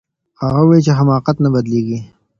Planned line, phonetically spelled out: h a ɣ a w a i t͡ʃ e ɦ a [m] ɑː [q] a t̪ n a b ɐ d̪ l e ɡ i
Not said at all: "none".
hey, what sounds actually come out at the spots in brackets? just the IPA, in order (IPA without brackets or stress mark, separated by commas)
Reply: m, q